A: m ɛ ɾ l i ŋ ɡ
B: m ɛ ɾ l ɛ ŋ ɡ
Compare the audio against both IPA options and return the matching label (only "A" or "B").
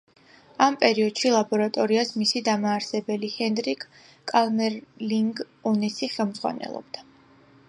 A